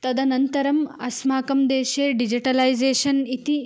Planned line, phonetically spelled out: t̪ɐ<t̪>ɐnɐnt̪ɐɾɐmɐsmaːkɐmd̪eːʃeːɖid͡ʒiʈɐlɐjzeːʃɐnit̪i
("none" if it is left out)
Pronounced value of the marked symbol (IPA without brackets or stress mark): d̪